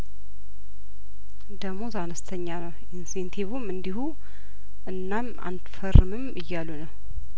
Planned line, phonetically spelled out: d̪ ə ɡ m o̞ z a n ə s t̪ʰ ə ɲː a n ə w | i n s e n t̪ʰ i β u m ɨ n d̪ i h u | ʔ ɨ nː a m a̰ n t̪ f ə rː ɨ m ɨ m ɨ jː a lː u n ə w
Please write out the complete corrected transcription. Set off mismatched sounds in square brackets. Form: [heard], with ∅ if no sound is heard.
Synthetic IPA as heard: d̪ ə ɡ m o̞ z a n ə s t̪ʰ ə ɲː a n ə w | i n s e n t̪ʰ i β u m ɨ n d̪ i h u | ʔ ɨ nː a m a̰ n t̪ f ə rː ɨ m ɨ m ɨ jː a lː u n ə w